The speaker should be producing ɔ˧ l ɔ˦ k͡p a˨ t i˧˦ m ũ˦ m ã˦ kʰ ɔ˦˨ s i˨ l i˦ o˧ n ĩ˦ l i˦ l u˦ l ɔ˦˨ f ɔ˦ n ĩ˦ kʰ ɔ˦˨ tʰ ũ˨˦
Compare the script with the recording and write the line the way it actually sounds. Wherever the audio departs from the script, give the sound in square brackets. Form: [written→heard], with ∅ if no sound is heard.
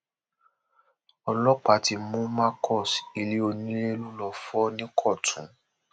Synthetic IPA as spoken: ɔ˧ l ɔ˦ k͡p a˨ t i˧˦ m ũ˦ m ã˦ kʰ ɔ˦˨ s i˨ l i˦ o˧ n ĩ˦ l [i˦→e˦] l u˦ l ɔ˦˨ f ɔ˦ n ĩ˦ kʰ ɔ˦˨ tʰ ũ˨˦